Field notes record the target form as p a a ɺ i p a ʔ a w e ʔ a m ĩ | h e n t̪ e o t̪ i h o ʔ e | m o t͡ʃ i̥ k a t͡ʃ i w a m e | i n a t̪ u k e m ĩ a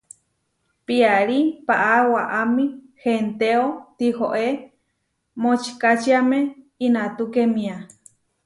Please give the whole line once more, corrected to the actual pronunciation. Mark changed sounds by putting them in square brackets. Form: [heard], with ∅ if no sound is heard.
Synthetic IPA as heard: p [i] a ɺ i p a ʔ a w [a] ʔ a m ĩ | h e n t̪ e o t̪ i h o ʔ e | m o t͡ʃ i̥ k a t͡ʃ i [∅] a m e | i n a t̪ u k e m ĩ a